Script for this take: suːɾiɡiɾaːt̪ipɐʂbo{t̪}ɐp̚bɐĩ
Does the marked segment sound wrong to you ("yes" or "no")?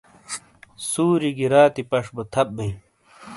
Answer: yes